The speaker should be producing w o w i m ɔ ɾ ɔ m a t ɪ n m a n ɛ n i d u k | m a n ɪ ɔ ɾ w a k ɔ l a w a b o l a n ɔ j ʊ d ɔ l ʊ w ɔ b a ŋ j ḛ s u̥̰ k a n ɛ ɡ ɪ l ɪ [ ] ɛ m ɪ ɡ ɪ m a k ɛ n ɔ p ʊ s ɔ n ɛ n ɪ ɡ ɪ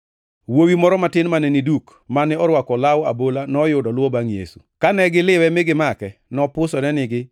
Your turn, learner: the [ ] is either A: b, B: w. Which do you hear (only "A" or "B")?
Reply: B